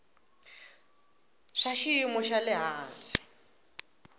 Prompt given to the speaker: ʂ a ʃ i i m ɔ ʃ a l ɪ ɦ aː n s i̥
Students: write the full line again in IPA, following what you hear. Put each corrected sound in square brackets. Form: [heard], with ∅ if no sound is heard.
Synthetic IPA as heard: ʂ a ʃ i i m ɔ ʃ a l ɪ ɦ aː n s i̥